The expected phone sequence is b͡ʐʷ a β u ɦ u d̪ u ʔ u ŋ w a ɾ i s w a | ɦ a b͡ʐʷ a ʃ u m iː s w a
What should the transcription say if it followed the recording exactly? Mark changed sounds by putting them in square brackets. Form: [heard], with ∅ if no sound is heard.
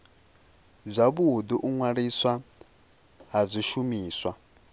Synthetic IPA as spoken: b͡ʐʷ a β u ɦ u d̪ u ʔ u ŋ w a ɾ i s w a | ɦ a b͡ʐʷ [i] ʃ u m iː s w a

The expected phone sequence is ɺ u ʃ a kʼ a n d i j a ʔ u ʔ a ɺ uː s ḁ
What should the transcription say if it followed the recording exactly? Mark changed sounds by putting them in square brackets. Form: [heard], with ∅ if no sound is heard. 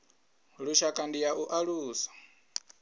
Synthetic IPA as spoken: ɺ u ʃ a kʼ a n d i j a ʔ u ʔ a ɺ uː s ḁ

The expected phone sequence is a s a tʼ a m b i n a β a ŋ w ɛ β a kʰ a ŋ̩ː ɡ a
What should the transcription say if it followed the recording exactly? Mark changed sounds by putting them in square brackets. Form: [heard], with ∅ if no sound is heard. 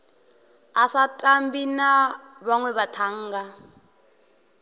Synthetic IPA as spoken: a s a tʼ a m b i n a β a ŋ w ɛ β a [tʰ] a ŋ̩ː ɡ a

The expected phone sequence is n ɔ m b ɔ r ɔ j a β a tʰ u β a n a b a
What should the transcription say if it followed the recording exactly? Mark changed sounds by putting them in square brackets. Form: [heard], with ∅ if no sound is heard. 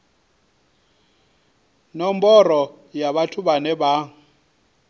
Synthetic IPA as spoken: n ɔ m b ɔ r ɔ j a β a tʰ u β a n [ɛ] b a

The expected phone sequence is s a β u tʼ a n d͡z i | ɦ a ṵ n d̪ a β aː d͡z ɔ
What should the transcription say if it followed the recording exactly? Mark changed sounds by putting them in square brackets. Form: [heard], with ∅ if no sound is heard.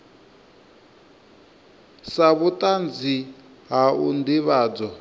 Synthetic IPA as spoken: s a β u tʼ a n d͡z i | ɦ a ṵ n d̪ [i] β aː d͡z ɔ

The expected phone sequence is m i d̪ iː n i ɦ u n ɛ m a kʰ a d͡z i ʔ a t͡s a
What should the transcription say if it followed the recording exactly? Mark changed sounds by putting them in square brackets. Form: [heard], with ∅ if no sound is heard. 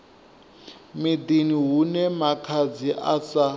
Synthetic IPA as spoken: m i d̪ [i] n i ɦ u n ɛ m a kʰ a d͡z i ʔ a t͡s a

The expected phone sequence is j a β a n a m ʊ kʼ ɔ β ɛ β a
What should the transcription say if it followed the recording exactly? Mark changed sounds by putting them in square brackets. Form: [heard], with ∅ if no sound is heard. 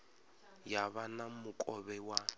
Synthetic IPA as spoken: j a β a n a m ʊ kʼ ɔ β ɛ [w] a

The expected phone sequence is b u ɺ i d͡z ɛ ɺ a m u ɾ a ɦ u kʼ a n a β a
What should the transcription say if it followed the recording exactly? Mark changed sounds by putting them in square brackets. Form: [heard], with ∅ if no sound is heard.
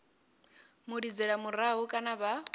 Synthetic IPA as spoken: [m] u ɺ i d͡z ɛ ɺ a m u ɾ a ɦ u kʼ a n a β a

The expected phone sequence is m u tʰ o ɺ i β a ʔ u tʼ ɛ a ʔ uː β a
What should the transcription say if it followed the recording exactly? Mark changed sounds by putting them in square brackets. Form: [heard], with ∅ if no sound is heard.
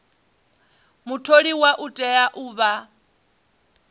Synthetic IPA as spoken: m u tʰ o ɺ i [w] a ʔ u tʼ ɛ a ʔ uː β a

